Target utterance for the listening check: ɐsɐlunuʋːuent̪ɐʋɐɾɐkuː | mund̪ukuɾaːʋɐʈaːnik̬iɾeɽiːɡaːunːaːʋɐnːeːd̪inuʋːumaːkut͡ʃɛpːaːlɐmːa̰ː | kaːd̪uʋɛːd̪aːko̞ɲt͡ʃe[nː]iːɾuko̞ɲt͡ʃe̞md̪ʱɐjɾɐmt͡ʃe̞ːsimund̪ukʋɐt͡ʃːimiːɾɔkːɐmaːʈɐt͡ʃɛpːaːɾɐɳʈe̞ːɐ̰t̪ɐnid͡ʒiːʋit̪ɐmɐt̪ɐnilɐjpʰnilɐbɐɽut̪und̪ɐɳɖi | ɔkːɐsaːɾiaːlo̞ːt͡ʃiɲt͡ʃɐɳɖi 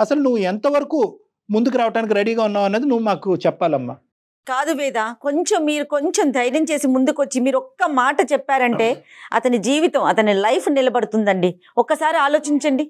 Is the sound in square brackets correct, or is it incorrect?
incorrect